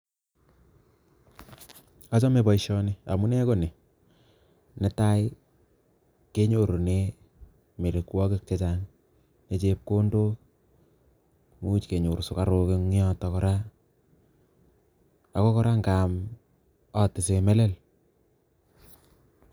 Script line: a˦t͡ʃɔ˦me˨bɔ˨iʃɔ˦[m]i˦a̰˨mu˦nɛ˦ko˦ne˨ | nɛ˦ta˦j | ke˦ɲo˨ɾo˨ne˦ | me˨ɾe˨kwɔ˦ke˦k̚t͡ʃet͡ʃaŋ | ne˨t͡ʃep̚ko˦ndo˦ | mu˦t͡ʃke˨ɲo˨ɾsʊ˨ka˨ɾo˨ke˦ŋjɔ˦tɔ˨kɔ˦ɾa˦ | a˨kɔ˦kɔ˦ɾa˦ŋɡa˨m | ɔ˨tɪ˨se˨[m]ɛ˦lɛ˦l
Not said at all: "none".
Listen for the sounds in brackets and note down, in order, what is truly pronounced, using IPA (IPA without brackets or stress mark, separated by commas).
n, m